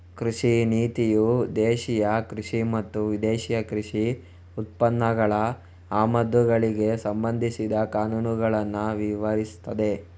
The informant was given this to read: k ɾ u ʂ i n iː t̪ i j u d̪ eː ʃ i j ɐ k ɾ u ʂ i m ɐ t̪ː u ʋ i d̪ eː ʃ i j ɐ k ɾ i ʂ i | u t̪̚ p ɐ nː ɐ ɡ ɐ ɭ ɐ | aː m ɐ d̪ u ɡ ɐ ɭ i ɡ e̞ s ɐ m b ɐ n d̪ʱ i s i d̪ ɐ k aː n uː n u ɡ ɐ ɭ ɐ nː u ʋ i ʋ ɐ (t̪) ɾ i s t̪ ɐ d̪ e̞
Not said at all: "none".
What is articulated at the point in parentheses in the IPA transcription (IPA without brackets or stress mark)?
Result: none